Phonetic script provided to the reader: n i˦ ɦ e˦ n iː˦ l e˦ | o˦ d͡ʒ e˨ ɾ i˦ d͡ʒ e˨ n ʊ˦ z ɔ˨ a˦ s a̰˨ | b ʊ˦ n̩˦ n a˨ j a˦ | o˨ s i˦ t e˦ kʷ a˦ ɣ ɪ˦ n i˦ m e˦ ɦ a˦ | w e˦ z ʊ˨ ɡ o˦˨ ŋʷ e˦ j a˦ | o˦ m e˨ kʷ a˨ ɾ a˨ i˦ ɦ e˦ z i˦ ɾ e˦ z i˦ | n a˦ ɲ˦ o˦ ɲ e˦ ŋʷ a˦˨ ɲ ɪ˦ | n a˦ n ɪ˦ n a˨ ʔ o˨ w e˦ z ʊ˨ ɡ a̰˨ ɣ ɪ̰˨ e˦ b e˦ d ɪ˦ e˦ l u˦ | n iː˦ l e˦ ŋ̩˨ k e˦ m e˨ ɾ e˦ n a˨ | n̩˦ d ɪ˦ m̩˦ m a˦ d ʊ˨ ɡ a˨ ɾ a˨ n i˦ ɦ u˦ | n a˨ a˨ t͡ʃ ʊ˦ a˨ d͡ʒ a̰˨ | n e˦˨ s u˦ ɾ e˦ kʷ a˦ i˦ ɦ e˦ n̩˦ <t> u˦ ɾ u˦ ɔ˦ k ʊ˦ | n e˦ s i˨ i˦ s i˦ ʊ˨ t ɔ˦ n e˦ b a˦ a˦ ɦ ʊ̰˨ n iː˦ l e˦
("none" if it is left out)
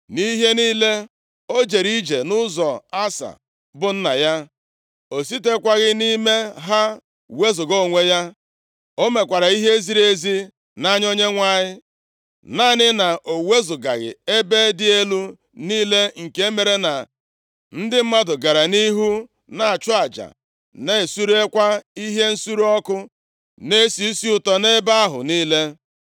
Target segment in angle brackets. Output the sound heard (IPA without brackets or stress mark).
s